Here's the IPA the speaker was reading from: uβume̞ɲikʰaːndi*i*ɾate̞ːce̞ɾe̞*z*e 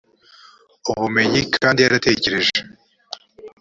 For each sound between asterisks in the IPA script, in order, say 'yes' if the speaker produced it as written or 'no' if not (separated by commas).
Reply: no, no